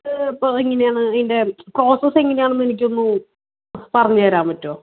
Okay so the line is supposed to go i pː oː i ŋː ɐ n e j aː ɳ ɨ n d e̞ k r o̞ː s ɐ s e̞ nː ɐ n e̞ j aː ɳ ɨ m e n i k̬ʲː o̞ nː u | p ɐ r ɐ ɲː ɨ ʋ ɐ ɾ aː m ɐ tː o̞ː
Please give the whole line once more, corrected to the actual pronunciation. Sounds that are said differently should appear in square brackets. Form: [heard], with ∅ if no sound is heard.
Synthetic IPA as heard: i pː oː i ŋː ɐ n e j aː ɳ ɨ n d e̞ k r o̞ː s ɐ s e̞ [ŋː] ɐ n e̞ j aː ɳ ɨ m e n i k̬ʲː o̞ nː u | p ɐ r ɐ ɲː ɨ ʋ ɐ ɾ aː m ɐ tː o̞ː